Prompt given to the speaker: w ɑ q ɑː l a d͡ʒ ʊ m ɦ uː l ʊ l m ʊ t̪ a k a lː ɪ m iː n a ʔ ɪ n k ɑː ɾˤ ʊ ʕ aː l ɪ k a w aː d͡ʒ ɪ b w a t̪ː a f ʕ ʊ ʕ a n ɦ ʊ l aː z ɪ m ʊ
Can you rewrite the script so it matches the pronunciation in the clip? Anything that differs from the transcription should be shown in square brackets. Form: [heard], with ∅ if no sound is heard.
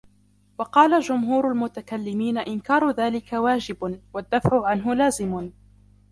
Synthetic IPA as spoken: w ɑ q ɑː l a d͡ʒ ʊ m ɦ uː [ɾ] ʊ l m ʊ t̪ a k a lː ɪ m iː n a ʔ ɪ n k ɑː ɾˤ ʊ [ð] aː l ɪ k a w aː d͡ʒ ɪ b w a [d̪ː] a f ʕ ʊ ʕ a n ɦ ʊ l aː z ɪ m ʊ